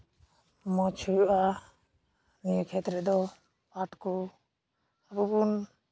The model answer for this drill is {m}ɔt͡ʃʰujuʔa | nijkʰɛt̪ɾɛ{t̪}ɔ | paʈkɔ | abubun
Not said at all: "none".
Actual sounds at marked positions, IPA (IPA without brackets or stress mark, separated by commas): m, d̪